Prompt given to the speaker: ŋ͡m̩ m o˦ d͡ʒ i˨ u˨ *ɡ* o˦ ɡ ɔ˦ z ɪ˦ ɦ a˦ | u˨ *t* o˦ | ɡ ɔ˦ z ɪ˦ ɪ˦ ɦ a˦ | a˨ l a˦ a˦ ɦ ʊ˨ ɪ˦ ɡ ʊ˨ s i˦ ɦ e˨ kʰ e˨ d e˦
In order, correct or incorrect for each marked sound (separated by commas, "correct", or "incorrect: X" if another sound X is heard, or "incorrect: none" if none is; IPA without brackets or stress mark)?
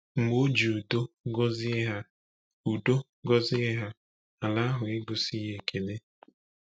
incorrect: d, incorrect: d